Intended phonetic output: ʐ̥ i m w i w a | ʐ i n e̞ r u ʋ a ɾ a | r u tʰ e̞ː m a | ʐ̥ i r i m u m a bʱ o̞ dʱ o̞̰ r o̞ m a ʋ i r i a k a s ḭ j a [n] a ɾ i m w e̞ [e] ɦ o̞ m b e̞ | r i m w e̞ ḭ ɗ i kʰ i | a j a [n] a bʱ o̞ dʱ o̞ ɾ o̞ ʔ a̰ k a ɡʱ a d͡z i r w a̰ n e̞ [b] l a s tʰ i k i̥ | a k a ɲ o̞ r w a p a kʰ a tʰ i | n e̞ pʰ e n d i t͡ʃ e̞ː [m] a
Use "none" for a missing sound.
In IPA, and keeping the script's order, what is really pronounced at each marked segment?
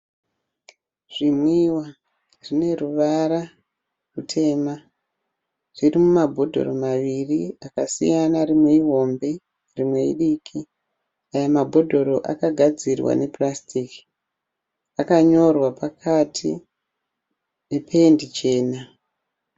n, i, m, p, n

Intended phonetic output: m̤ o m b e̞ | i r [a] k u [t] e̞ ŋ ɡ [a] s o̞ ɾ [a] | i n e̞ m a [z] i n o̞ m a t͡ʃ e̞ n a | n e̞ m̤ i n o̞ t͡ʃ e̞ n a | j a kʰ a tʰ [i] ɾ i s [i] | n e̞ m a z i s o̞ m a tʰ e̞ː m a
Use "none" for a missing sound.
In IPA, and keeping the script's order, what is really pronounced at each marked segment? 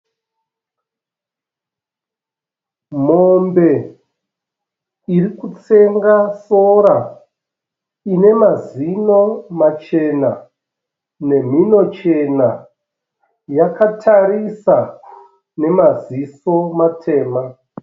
i, t͡s, a, a, z, a, a

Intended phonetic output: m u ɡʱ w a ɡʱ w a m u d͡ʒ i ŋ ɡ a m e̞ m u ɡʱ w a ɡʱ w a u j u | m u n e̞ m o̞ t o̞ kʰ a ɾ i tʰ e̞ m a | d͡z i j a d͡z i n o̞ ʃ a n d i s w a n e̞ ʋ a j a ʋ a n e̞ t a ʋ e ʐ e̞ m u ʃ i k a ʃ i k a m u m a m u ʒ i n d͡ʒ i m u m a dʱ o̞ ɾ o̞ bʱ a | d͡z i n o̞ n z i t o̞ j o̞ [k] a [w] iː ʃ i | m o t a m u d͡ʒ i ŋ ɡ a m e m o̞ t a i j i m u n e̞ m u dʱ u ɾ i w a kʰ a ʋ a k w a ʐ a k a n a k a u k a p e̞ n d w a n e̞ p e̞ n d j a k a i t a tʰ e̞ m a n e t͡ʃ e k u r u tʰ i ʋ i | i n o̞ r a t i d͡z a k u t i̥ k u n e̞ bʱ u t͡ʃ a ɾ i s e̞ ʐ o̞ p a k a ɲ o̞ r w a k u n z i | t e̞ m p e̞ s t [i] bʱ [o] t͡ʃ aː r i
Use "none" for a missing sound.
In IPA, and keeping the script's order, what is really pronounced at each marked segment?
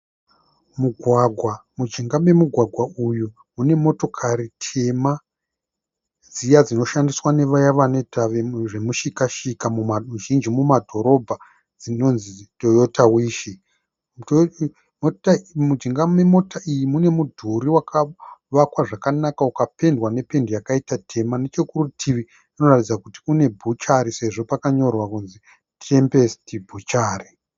t, w, i, u

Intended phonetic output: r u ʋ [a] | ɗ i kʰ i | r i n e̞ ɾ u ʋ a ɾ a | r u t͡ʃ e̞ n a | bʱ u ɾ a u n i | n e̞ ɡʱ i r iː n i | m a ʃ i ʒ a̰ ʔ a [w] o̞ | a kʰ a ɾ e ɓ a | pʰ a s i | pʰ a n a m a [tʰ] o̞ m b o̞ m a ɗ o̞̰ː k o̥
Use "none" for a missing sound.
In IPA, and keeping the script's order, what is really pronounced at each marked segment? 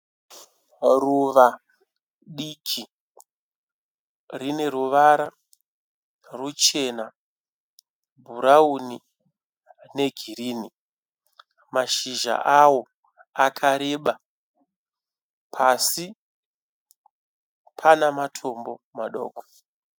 a, w, tʰ

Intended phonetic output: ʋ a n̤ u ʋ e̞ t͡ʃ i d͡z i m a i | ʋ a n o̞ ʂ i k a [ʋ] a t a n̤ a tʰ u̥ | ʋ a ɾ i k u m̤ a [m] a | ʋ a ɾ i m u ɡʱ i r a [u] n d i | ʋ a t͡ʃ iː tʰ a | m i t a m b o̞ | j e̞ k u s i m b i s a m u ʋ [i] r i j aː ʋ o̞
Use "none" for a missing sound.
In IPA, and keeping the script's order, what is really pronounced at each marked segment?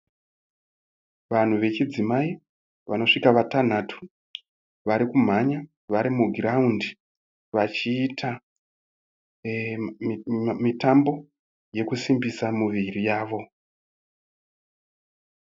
ʋ, ɲ, u, i

